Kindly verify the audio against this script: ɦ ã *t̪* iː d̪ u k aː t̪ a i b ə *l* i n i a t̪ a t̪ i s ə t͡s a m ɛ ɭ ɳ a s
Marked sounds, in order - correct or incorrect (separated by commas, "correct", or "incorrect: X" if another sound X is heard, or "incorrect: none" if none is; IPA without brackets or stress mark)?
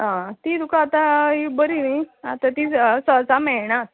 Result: correct, incorrect: ɾ